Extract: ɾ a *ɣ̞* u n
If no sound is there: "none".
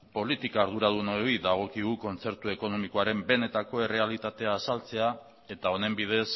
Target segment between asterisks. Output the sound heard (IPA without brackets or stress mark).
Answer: ð̞